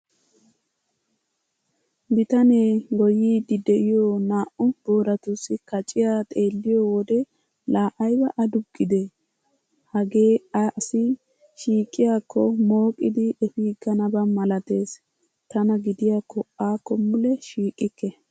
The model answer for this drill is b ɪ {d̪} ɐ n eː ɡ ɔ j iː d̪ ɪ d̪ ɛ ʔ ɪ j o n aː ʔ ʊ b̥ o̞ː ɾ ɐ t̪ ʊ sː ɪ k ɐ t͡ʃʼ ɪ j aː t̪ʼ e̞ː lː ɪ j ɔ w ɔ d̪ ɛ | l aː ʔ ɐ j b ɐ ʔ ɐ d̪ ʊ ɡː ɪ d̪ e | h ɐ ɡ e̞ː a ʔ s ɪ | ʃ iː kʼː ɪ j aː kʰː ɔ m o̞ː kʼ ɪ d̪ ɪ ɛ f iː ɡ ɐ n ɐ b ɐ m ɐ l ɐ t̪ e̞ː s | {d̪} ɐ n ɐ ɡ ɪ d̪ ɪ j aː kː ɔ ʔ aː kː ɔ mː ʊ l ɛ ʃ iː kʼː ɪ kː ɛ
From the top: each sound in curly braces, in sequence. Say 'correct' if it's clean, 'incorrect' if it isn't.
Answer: incorrect: t̪, incorrect: t̪

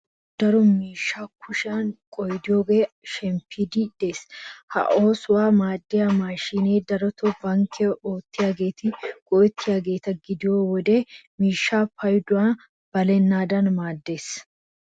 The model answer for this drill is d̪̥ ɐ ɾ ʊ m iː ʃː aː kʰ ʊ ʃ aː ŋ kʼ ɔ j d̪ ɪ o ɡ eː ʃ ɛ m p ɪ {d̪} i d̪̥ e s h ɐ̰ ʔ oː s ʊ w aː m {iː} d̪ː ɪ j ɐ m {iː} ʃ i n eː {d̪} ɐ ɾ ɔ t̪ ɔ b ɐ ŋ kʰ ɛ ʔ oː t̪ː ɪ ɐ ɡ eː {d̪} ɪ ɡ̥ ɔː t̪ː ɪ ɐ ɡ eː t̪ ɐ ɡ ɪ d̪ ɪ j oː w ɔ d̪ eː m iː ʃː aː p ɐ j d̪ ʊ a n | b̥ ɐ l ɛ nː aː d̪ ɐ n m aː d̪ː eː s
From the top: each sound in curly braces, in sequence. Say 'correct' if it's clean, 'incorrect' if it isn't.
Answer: correct, incorrect: aː, incorrect: aː, correct, incorrect: t̪

